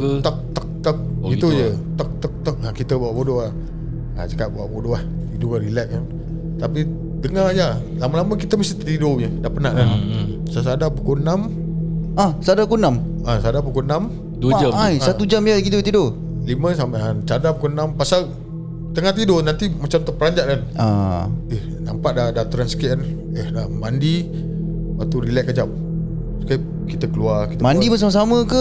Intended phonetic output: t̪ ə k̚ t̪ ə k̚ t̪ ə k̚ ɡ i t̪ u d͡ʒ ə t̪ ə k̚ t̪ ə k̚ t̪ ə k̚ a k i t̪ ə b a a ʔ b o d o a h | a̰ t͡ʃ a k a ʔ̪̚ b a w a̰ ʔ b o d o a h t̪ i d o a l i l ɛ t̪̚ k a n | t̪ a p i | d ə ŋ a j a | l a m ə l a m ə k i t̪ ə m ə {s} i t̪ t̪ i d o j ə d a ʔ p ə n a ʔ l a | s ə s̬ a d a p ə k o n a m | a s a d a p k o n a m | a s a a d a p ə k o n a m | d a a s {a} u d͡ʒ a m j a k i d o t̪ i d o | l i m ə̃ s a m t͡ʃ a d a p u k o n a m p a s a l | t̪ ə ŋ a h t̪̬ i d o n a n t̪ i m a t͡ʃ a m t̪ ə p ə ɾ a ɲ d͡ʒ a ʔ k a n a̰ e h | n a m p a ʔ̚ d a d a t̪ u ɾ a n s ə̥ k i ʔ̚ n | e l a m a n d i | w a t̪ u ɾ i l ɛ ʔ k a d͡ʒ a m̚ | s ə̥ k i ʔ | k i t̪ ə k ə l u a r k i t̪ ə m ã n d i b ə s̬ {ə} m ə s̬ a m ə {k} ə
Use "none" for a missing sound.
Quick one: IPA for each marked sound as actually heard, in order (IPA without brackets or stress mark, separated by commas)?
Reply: s, a, a, k